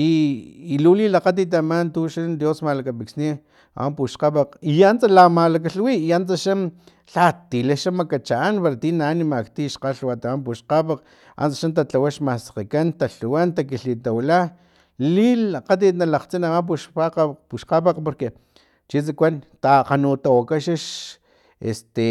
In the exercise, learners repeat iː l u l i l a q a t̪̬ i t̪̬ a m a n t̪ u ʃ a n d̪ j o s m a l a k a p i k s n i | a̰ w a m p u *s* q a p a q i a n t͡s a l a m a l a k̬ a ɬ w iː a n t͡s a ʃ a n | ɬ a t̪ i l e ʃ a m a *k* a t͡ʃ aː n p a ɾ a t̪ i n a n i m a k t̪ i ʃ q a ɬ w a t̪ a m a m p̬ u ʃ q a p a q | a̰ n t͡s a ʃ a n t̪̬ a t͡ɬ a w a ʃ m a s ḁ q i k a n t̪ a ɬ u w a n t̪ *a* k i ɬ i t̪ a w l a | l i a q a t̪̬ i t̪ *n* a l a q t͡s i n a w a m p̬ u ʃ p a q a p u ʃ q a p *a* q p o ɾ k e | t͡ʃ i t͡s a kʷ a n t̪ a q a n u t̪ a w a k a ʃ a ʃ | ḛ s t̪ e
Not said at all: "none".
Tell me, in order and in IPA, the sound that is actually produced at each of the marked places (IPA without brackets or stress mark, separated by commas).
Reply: ʃ, k, a, n, a